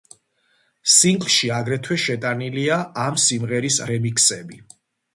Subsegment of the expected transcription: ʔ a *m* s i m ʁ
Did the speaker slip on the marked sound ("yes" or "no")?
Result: no